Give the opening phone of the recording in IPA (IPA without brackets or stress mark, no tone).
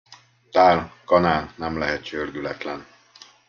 t̪